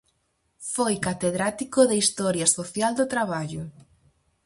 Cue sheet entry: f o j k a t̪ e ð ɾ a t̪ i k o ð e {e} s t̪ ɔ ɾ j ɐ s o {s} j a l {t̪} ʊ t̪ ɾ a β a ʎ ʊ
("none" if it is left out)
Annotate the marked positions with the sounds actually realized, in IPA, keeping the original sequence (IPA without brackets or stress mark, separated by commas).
i, θ, d̪